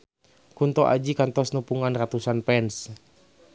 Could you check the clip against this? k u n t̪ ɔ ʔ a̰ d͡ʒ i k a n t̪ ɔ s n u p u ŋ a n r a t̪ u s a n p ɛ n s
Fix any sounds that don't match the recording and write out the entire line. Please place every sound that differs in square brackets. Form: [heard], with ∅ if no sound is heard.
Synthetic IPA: k u n t̪ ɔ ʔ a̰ d͡ʒ i k a n t̪ ɔ s n u p u ŋ a n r a t̪ u s a n p ɛ n s